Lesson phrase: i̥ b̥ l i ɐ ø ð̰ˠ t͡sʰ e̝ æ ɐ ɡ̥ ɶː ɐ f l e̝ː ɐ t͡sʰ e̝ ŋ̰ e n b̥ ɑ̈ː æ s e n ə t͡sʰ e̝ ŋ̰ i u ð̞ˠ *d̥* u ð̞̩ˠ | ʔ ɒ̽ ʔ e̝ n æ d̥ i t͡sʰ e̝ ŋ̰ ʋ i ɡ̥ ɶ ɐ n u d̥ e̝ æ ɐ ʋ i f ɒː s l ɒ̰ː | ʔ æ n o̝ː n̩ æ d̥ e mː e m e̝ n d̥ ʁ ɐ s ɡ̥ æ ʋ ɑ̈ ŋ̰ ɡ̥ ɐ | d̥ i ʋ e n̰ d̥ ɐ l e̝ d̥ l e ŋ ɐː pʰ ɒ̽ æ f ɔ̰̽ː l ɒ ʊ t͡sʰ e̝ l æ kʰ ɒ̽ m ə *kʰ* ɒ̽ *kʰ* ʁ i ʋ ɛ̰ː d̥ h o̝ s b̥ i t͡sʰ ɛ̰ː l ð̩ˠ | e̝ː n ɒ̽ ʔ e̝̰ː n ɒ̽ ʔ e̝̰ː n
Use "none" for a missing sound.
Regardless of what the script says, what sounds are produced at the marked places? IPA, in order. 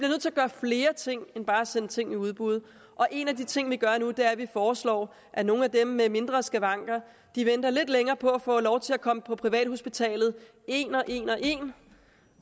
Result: b̥, pʰ, pʰ

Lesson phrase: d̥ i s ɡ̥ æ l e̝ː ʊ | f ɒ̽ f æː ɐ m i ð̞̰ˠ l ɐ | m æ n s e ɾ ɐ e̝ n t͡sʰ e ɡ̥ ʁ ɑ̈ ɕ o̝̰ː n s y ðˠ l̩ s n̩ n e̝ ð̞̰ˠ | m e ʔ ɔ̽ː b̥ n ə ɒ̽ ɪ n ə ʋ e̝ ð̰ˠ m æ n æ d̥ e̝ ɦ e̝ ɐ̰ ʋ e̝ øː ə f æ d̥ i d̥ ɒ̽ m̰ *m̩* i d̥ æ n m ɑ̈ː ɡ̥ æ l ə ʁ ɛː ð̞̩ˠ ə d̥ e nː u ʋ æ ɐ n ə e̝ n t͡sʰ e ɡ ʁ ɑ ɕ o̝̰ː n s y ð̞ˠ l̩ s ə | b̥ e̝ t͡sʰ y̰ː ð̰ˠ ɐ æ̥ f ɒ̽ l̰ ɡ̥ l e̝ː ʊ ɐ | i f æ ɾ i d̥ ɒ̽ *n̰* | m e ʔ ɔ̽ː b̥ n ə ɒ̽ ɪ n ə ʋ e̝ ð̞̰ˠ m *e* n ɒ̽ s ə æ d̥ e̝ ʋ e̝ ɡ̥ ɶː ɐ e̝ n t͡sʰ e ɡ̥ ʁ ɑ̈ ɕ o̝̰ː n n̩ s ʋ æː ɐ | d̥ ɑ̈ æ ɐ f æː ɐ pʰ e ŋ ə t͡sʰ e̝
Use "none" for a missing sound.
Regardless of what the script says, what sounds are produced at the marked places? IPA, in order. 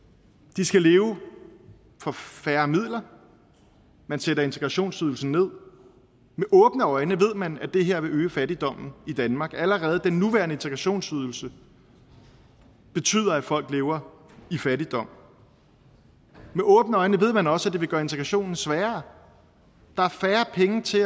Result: n̩, m̰, æ

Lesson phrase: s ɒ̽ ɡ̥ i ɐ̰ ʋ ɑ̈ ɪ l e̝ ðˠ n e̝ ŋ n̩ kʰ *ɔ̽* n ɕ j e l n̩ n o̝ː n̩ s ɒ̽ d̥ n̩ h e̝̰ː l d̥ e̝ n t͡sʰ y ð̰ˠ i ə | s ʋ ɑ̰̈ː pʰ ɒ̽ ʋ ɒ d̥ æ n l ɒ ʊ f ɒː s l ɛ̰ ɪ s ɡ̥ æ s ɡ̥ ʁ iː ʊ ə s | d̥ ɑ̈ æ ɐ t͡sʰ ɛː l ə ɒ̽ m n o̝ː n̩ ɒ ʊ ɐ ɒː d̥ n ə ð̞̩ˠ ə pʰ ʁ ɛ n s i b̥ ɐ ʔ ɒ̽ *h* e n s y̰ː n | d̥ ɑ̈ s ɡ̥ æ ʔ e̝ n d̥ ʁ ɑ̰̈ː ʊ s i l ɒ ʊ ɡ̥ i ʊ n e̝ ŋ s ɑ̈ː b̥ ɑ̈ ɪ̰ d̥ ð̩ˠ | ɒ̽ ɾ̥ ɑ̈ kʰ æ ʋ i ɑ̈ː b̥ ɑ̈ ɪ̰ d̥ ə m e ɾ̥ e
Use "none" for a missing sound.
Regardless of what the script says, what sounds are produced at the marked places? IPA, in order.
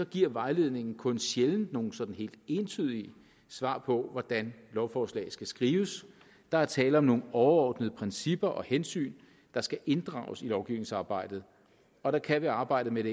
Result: ɔ̽, h

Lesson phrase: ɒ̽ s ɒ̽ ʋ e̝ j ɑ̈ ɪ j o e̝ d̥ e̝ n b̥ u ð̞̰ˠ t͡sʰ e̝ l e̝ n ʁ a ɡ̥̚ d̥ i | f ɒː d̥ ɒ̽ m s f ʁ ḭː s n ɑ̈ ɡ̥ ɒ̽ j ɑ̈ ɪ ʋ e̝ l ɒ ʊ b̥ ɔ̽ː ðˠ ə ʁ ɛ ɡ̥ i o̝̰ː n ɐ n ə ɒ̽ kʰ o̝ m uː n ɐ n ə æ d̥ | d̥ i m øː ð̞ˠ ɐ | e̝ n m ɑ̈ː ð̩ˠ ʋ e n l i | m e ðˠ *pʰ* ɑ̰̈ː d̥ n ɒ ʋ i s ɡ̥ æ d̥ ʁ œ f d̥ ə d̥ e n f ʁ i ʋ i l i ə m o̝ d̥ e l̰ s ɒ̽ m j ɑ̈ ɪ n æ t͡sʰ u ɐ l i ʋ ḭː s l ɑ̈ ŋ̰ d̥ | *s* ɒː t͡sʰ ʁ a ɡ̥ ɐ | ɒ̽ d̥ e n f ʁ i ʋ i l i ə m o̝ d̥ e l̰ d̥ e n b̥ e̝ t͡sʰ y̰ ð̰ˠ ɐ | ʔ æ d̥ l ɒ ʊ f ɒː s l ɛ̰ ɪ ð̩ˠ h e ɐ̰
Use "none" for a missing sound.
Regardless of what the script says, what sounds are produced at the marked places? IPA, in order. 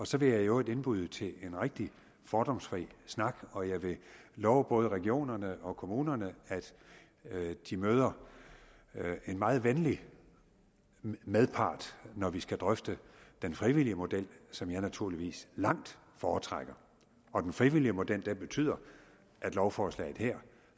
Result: pʰ, f

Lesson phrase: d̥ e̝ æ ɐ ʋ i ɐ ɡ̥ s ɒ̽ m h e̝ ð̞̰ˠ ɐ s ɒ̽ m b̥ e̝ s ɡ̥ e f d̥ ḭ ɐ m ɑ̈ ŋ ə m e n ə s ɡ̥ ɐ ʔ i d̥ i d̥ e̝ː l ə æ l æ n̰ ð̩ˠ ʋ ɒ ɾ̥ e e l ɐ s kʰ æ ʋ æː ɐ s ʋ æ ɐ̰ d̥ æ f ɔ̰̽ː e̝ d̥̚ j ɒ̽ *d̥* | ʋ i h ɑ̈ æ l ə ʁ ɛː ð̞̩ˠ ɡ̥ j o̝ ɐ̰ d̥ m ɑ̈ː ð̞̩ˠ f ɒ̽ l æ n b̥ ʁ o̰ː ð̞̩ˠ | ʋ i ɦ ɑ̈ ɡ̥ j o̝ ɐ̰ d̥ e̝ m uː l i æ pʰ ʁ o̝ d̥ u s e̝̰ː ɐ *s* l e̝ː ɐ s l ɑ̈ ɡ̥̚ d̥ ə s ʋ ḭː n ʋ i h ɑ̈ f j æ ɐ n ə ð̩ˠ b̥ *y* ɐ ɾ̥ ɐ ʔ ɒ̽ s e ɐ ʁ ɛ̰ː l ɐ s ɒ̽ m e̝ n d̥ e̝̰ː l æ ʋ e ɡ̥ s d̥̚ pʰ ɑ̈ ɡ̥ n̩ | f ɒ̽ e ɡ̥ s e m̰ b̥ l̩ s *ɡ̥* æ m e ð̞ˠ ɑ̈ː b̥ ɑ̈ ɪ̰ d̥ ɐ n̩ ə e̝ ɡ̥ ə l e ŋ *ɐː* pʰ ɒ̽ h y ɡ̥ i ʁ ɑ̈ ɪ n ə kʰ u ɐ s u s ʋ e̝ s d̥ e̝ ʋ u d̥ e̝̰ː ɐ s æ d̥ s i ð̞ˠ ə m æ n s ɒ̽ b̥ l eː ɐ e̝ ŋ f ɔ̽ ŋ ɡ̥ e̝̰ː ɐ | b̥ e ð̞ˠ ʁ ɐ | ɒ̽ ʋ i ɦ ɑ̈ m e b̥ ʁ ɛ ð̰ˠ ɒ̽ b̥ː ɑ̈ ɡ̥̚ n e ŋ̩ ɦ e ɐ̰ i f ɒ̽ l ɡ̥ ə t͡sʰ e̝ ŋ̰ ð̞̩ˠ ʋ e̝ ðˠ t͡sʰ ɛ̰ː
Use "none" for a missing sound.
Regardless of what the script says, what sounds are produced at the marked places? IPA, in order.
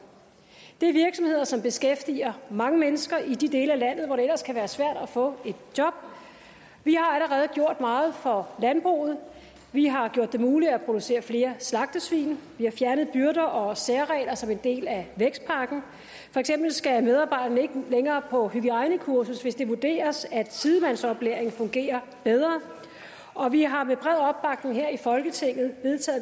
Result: b̥, f, y, ɡ̥, ɐː

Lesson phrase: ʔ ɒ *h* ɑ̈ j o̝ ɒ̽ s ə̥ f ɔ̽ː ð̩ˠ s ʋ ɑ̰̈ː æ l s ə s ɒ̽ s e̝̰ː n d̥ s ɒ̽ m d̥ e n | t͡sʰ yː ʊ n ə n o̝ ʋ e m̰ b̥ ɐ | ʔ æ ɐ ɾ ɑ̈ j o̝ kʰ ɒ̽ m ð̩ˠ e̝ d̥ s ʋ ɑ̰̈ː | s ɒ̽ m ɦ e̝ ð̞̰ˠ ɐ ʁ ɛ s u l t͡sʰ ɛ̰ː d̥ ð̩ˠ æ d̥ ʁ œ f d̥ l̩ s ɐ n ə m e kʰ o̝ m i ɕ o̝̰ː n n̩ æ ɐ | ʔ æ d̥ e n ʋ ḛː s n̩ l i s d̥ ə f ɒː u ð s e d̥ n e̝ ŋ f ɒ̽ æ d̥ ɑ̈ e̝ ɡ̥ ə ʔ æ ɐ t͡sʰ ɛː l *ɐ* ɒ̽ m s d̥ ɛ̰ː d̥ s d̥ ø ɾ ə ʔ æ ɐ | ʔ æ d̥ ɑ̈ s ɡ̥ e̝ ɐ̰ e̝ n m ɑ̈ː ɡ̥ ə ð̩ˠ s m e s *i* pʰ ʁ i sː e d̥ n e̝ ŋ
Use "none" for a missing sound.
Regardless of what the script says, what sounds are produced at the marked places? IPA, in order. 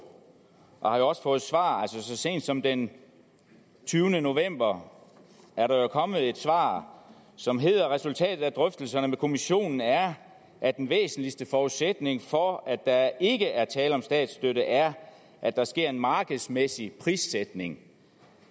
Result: h, ə, i

